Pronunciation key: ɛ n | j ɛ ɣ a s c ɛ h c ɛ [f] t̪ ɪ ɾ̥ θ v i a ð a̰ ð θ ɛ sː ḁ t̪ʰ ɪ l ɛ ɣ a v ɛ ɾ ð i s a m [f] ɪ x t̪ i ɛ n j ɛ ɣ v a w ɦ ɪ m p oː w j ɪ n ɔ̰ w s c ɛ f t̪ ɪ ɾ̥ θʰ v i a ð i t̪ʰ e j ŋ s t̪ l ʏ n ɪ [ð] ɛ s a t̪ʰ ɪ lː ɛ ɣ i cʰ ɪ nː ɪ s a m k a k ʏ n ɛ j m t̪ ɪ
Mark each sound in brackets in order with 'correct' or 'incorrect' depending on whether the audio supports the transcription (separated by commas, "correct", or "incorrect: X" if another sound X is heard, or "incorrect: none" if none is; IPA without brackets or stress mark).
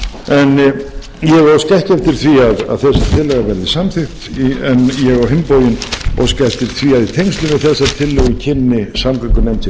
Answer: correct, incorrect: θ, incorrect: θ